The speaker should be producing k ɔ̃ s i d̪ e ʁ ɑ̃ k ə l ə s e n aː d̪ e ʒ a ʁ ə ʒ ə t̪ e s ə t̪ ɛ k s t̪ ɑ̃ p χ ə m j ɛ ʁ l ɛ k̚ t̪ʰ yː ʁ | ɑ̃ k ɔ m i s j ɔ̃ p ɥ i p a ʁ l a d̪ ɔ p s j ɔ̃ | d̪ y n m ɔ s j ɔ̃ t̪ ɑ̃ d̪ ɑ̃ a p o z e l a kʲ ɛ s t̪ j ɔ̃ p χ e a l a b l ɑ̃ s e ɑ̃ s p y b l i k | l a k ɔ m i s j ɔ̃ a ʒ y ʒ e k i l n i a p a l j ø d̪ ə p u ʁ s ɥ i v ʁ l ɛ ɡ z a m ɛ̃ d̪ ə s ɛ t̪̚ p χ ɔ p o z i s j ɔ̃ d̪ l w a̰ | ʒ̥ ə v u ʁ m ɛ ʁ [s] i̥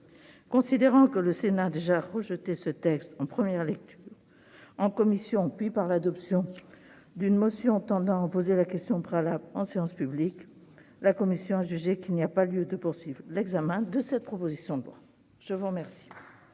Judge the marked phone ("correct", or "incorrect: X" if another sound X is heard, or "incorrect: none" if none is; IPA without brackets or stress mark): correct